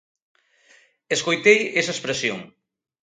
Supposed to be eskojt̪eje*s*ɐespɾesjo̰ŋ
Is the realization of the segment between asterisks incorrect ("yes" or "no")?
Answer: no